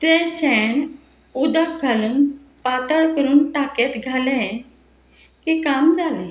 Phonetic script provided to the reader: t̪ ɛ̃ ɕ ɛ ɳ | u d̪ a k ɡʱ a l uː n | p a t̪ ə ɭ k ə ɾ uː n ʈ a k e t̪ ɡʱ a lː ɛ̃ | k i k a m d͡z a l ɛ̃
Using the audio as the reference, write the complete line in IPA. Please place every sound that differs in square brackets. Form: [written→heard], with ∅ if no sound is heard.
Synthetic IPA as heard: t̪ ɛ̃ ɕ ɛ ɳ | u d̪ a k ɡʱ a l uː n | p a t̪ ə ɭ k ə ɾ uː n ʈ a k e t̪ ɡʱ a [lː→l] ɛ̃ | k i k a m d͡z a l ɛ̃